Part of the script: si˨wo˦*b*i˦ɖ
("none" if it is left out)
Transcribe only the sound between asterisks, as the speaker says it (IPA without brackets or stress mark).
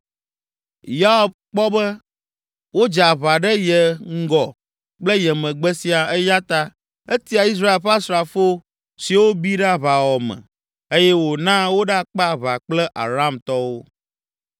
b